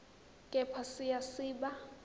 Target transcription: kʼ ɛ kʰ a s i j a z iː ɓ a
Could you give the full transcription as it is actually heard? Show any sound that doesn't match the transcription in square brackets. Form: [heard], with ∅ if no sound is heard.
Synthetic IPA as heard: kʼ ɛ [pʰ] a s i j a [s] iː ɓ a